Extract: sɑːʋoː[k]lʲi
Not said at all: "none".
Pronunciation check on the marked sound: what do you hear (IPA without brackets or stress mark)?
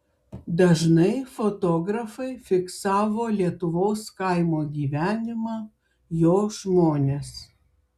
none